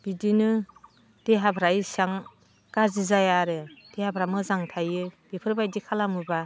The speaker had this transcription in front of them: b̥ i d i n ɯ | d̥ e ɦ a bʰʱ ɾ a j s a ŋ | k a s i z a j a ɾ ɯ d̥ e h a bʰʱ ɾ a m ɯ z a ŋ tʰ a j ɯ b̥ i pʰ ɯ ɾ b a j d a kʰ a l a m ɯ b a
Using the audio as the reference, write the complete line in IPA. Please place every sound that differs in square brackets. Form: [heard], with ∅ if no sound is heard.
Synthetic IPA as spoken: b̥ i d i n ɯ | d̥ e ɦ a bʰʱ ɾ a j s a ŋ | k a [z] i z a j a ɾ ɯ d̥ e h a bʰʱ ɾ a m ɯ z a ŋ tʰ a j ɯ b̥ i pʰ ɯ ɾ b a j d [i] kʰ a l a m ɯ b a